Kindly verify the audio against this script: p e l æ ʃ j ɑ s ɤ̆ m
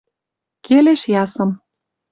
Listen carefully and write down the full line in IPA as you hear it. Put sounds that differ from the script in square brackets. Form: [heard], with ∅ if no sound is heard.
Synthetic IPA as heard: [k] e l [e] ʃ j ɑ s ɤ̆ m